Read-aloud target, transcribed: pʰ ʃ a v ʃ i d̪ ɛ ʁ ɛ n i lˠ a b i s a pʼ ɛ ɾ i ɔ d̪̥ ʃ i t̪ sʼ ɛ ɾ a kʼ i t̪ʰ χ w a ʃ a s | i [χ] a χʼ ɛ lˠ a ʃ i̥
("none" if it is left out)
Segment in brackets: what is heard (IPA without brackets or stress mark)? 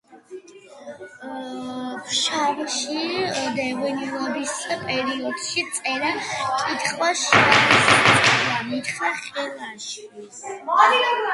χ